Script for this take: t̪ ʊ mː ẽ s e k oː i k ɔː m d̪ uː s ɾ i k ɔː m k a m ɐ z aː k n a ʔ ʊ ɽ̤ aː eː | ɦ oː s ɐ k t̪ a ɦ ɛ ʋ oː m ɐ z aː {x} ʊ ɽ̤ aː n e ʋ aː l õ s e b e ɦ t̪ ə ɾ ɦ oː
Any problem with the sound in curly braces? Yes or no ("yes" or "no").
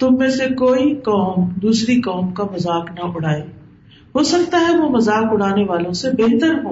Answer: yes